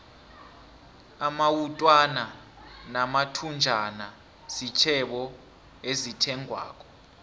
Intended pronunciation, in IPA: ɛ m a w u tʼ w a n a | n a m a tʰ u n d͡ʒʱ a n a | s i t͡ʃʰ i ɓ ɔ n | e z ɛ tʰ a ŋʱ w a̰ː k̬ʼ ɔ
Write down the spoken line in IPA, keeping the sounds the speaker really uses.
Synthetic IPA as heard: a m a w u tʼ w a n a | n a m a tʰ u n d͡ʒʱ a n a | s i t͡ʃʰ ɛ ɓ ɔ | e z i tʰ ɛ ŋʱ w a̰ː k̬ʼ ɔ